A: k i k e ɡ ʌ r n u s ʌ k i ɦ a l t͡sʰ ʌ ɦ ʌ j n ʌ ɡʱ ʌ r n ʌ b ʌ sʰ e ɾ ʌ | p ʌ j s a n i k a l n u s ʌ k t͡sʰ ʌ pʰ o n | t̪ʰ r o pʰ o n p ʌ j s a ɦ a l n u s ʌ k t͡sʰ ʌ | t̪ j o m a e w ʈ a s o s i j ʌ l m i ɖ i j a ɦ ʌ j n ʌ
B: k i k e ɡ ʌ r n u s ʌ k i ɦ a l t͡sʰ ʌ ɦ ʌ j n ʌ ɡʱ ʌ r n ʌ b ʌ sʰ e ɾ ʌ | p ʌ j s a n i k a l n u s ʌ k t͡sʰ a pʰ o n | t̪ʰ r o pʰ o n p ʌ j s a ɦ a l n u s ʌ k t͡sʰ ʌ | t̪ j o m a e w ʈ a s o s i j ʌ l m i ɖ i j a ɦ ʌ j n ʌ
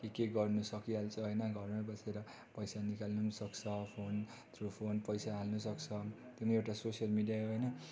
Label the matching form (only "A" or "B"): A